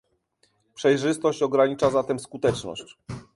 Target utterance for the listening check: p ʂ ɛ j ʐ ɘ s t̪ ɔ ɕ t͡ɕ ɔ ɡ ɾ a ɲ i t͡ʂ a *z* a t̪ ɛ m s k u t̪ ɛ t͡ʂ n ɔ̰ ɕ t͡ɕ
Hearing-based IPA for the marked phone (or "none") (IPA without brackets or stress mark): z